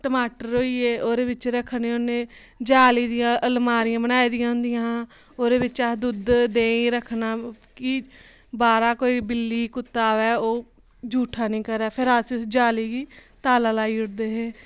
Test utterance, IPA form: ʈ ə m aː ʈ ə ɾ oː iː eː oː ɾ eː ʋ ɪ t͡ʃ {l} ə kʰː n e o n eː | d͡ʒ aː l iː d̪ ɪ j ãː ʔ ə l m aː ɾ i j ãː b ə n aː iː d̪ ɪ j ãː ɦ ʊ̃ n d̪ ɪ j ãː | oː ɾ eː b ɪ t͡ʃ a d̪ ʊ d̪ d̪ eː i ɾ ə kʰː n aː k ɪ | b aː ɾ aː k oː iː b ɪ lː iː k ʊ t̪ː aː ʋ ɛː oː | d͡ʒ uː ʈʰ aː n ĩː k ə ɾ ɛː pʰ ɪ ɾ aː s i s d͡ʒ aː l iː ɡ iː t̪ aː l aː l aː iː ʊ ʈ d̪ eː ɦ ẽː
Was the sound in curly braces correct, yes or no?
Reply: no